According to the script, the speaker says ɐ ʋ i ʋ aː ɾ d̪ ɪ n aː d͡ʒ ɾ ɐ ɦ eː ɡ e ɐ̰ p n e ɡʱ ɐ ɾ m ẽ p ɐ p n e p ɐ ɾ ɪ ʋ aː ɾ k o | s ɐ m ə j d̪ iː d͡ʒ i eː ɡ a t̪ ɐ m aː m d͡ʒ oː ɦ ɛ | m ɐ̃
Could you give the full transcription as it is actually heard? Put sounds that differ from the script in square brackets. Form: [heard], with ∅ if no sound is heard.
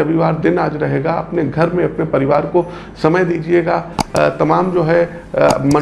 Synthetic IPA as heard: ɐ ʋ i ʋ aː ɾ d̪ ɪ n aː d͡ʒ ɾ ɐ ɦ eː ɡ [a] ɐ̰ p n e ɡʱ ɐ ɾ m ẽ [∅] ɐ p n e p ɐ ɾ ɪ ʋ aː ɾ k o | s ɐ m ə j d̪ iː d͡ʒ i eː ɡ a t̪ ɐ m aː m d͡ʒ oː ɦ ɛ | m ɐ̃